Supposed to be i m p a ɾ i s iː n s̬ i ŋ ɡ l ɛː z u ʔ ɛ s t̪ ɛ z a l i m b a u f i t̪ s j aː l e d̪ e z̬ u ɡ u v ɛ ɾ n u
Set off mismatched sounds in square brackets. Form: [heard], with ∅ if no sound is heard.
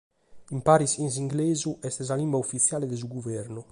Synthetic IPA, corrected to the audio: i m p a ɾ i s [i] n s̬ i ŋ ɡ l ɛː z u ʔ ɛ s t̪ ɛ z a l i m b a u f i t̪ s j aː l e d̪ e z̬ u ɡ u v ɛ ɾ n u